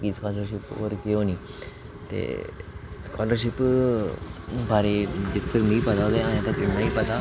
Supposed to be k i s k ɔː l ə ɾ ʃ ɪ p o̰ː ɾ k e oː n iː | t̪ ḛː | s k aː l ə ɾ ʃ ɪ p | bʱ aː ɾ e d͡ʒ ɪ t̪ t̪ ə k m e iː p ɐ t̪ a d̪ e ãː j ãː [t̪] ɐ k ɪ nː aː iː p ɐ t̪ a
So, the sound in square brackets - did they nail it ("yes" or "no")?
yes